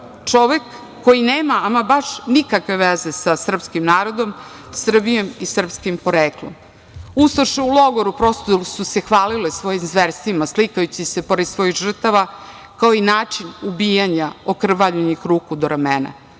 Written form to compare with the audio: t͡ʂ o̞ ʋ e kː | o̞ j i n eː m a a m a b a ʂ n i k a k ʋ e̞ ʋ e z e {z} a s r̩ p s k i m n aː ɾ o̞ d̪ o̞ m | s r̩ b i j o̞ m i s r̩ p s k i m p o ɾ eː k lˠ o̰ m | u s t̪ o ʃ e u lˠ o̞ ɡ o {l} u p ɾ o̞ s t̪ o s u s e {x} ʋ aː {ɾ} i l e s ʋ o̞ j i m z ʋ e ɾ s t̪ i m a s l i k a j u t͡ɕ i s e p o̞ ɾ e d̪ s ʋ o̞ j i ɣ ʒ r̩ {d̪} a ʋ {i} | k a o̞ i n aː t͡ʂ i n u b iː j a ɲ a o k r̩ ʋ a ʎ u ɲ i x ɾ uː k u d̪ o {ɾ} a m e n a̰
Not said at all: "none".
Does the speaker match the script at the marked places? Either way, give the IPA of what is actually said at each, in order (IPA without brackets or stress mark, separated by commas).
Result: s, ɾ, x, l, t̪, a, ɾ